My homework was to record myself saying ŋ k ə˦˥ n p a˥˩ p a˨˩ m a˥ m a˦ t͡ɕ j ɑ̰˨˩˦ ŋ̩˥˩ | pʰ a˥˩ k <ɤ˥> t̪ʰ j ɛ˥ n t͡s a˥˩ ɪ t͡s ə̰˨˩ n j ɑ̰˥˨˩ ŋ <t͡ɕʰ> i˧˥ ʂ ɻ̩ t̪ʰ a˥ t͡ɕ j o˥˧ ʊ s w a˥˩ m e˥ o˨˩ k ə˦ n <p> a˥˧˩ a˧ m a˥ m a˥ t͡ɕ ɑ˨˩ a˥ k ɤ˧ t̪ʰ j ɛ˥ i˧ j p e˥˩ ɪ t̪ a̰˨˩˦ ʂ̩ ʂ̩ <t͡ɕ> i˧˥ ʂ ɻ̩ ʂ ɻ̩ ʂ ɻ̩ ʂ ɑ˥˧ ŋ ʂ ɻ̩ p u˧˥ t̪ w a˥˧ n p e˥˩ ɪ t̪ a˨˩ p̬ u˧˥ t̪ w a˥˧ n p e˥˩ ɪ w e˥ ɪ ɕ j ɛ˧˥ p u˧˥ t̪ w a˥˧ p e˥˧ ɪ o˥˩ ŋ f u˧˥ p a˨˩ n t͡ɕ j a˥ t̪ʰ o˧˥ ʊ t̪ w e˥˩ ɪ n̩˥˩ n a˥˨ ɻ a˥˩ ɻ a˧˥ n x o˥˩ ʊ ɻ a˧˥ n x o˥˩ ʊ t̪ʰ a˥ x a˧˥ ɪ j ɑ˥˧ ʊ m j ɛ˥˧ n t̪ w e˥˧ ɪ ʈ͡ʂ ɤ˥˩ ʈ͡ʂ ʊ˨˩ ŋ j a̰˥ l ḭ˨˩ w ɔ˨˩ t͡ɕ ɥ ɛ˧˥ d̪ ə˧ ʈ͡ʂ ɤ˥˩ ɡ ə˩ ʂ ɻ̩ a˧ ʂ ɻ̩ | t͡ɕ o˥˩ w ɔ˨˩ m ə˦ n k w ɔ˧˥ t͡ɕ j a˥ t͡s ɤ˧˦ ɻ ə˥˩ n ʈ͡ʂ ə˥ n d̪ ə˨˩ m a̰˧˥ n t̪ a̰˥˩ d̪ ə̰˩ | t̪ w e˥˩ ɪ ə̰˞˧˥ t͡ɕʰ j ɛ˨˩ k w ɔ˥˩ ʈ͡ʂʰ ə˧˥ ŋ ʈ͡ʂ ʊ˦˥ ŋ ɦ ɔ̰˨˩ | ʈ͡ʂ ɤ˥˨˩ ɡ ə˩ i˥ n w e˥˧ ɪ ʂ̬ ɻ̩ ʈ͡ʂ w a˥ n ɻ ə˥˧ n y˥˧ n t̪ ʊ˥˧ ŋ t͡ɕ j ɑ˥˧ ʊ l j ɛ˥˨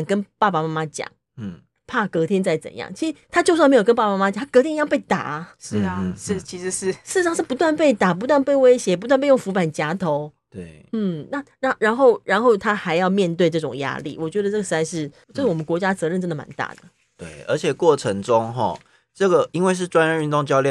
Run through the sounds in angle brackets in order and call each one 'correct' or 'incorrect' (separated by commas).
incorrect, correct, correct, incorrect